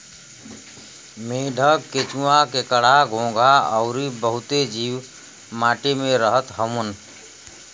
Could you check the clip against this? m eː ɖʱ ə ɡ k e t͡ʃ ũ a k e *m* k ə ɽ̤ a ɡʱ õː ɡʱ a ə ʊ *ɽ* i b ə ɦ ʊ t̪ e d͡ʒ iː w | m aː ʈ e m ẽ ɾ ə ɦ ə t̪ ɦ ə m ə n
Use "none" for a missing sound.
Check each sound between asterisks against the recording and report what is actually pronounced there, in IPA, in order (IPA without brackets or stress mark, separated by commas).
none, ɾ